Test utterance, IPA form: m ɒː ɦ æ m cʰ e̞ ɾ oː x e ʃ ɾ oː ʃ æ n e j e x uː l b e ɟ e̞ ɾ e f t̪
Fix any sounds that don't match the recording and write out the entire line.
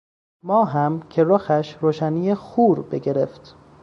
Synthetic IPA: m ɒː ɦ æ m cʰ e̞ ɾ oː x æ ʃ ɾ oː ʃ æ n i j e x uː ɾ b e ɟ e̞ ɾ e f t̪